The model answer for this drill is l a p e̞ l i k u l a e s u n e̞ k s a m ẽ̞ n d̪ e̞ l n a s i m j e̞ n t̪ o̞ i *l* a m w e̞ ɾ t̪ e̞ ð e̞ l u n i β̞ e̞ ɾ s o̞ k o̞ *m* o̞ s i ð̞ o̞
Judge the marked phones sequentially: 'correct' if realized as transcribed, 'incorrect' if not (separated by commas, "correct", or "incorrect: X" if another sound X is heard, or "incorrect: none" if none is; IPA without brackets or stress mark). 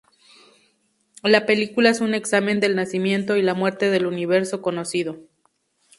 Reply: correct, incorrect: n